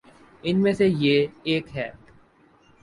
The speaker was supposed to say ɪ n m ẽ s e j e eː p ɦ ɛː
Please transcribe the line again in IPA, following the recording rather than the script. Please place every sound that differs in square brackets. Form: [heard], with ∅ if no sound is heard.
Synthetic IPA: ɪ n m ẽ s e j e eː [k] ɦ ɛː